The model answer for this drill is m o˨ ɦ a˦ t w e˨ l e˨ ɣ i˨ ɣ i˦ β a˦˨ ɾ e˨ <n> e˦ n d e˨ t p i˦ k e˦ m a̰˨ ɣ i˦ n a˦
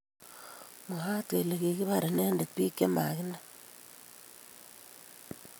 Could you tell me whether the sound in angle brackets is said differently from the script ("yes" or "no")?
no